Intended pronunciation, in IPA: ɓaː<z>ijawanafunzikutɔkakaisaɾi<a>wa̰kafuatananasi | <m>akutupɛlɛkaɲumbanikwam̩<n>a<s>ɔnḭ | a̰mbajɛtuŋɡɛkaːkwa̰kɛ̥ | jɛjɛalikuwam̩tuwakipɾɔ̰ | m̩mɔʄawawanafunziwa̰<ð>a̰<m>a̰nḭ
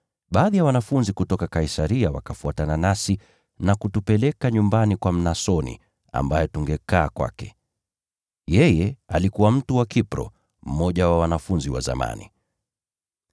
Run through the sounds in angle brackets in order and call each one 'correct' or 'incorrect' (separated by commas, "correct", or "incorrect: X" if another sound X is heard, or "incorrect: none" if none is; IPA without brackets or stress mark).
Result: incorrect: ð, correct, incorrect: n, correct, correct, incorrect: z, correct